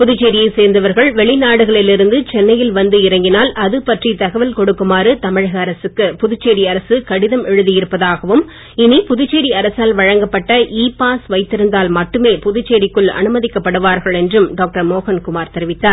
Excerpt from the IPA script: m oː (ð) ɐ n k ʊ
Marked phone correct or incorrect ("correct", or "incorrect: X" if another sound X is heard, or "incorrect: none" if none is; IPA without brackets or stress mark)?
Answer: incorrect: ɣ